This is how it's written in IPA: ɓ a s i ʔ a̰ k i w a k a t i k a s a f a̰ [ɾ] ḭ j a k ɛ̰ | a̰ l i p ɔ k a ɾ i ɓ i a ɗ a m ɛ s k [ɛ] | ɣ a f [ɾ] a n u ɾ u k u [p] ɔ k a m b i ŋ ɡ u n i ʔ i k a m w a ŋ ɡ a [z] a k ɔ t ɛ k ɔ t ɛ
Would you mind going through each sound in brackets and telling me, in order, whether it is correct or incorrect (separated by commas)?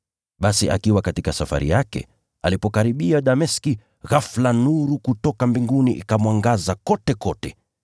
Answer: correct, incorrect, incorrect, incorrect, correct